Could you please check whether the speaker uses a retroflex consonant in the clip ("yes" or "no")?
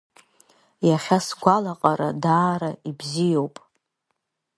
no